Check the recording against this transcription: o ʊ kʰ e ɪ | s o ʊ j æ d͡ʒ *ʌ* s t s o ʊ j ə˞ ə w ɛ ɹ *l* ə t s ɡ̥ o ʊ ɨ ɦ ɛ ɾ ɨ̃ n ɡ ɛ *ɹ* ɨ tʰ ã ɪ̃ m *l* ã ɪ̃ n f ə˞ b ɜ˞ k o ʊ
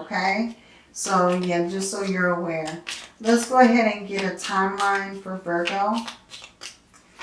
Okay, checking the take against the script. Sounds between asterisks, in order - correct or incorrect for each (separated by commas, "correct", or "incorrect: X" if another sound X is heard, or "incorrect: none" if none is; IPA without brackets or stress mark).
correct, correct, incorrect: ɾ, correct